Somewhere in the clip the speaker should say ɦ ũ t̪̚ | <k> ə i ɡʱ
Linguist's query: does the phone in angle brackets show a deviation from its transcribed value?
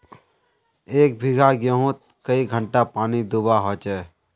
no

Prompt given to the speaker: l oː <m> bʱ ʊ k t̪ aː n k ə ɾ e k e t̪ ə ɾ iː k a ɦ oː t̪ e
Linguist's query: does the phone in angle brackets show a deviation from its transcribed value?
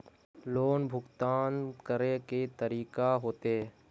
yes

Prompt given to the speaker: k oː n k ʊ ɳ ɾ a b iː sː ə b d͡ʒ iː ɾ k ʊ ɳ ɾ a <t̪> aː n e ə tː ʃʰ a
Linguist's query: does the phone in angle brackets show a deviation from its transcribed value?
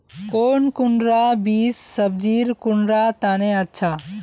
no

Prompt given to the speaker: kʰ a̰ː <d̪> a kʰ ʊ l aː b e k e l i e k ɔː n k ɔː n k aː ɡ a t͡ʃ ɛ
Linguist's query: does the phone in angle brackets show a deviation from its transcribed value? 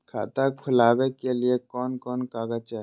yes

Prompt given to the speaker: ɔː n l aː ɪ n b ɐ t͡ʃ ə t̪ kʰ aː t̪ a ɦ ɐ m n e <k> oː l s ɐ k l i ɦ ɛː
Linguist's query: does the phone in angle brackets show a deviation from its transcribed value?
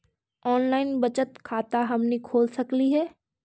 yes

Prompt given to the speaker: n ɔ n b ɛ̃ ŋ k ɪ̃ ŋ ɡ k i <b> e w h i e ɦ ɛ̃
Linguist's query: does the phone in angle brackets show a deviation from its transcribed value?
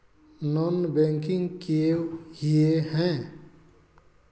yes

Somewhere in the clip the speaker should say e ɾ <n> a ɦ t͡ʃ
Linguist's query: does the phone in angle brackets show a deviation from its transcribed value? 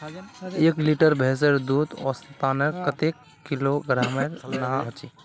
no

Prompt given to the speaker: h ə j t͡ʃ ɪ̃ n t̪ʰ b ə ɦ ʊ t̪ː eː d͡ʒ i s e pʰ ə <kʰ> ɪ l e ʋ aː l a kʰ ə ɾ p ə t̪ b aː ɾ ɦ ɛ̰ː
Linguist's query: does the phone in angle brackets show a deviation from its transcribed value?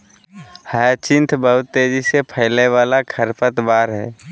yes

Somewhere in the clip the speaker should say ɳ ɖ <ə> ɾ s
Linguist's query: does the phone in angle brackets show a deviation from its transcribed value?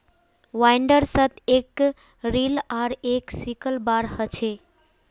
no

